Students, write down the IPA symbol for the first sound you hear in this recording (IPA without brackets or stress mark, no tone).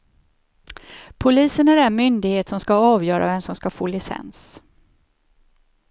pʰ